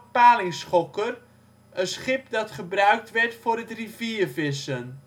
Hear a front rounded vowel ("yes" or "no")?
yes